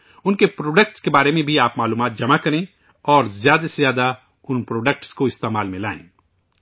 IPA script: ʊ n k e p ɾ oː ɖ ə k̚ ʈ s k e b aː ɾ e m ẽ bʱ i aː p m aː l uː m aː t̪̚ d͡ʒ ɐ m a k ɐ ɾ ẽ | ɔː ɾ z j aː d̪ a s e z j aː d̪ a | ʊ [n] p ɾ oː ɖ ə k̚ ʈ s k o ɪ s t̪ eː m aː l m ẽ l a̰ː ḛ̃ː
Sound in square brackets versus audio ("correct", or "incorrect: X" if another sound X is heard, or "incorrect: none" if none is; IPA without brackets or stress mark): correct